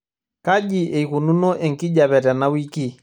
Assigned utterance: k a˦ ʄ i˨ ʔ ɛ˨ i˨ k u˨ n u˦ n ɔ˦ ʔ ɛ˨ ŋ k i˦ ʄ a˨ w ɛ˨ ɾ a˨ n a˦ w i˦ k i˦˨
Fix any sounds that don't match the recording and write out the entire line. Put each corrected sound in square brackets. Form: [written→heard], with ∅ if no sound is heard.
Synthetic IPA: k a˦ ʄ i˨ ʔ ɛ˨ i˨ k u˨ n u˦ n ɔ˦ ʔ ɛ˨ ŋ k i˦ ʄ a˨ [w→β] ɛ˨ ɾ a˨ n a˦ w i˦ k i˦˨